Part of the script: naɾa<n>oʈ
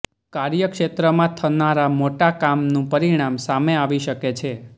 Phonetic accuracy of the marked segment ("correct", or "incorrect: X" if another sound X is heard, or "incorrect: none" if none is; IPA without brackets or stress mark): incorrect: m